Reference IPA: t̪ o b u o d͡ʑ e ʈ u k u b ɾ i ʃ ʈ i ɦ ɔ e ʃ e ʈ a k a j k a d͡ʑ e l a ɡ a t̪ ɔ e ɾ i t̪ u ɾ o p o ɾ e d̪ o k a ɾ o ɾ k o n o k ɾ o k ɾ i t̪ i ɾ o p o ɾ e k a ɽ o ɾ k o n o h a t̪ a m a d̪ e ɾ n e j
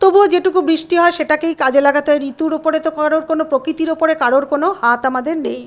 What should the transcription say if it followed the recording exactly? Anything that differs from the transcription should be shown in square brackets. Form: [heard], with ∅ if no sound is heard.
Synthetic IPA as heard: t̪ o b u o d͡ʑ e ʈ u k u b ɾ i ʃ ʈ i ɦ ɔ e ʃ e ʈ a k [e] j k a d͡ʑ e l a ɡ a t̪ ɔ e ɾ i t̪ u ɾ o p o ɾ e [t̪] o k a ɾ o ɾ k o n o [p] ɾ o k ɾ i t̪ i ɾ o p o ɾ e k a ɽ o ɾ k o n o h a t̪ a m a d̪ e ɾ n e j